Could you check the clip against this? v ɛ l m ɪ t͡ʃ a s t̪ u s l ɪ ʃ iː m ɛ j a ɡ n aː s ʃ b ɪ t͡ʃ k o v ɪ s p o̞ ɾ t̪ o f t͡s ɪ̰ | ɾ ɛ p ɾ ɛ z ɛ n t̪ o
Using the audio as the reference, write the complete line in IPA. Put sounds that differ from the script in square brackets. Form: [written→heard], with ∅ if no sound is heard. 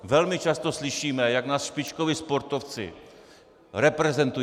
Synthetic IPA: v ɛ l m ɪ t͡ʃ a s t̪ [u→o] s l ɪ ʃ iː m ɛ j a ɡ n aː s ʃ [b→p] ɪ t͡ʃ k o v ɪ s p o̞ ɾ t̪ o f t͡s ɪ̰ | ɾ ɛ p ɾ ɛ z ɛ n t̪ [o→u]